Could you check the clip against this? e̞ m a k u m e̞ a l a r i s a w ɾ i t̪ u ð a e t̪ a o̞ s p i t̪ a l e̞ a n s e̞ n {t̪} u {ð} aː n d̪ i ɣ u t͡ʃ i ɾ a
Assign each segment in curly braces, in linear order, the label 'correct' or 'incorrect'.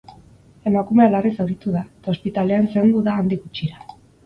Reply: incorrect, correct

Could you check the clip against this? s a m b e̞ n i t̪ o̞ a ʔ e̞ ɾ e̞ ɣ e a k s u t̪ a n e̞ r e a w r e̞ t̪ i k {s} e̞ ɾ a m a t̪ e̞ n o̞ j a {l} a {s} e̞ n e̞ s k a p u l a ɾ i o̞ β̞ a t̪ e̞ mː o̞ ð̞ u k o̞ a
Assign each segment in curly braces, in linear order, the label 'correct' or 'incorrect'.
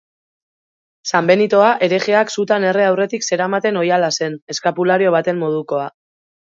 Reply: correct, correct, correct

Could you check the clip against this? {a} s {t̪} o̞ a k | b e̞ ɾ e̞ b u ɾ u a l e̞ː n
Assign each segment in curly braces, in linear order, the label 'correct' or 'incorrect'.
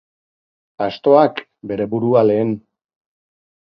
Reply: correct, correct

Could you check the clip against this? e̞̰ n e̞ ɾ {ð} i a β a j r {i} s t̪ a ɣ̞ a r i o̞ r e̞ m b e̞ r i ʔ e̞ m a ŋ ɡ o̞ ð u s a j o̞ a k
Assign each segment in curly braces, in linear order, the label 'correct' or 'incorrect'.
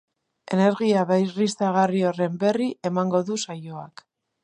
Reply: incorrect, correct

